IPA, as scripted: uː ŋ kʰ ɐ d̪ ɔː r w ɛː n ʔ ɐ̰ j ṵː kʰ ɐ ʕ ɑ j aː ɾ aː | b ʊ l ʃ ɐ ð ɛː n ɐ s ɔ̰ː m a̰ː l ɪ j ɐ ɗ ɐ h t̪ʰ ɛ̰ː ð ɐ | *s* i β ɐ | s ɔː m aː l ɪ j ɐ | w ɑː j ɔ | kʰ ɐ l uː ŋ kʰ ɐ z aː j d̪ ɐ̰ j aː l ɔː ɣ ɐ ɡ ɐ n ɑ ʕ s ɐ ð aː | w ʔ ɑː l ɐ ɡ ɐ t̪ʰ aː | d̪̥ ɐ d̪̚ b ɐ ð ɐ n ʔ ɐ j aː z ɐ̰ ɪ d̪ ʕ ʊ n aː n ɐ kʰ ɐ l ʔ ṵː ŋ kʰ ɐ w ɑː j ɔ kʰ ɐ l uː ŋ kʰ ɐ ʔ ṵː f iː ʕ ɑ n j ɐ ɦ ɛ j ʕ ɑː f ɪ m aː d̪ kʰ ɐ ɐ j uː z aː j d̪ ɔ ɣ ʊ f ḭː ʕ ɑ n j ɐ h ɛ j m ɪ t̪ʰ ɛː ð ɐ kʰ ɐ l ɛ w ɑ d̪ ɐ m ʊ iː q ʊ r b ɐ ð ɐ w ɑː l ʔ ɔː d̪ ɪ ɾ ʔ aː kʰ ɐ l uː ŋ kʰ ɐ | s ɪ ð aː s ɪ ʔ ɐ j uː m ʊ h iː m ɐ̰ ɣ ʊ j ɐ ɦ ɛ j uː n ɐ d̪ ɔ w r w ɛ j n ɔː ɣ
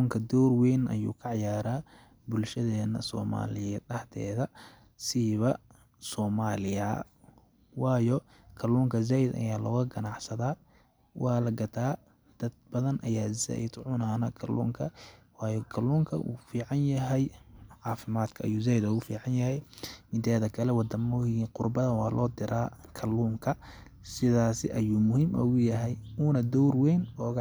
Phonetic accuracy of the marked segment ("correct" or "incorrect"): correct